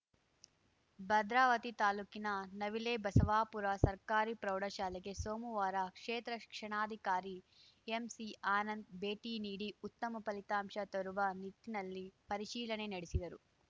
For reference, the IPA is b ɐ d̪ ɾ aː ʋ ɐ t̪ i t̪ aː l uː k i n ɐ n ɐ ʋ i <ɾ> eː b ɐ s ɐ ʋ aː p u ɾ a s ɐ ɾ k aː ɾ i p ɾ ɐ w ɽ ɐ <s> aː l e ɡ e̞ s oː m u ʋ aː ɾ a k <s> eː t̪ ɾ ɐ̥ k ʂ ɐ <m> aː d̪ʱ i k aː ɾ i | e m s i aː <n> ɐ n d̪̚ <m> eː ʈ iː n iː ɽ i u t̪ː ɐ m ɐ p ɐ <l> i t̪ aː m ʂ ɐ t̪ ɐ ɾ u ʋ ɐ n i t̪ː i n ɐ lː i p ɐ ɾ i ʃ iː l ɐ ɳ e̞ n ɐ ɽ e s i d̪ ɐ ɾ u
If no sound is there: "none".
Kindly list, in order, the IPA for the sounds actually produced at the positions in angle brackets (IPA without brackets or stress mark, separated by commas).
l, ʃ, ʂ, ɳ, n, b, l